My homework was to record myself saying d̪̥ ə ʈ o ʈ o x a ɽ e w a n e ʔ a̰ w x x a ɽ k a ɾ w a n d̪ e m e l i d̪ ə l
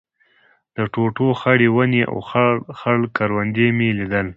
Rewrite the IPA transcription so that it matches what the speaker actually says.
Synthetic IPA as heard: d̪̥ ə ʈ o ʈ o x a ɽ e w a n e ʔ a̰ w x x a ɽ k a ɾ w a n d̪ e m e l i d̪ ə l